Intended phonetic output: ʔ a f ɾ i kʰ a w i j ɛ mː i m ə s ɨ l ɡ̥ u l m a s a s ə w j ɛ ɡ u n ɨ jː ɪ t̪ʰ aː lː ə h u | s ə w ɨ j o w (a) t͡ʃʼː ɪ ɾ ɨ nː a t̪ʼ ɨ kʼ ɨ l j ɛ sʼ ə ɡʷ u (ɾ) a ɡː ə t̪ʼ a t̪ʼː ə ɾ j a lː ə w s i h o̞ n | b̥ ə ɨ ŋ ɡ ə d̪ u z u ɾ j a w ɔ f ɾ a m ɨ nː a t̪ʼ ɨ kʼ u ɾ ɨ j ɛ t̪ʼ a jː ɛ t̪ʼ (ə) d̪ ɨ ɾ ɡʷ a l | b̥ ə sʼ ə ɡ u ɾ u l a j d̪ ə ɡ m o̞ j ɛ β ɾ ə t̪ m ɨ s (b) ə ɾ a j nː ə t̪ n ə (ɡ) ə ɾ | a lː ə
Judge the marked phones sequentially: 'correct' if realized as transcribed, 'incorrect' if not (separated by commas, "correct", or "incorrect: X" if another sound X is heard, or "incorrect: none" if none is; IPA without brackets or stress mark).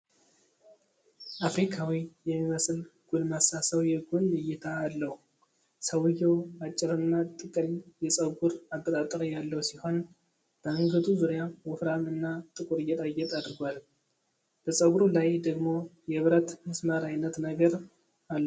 correct, correct, incorrect: a, incorrect: m, correct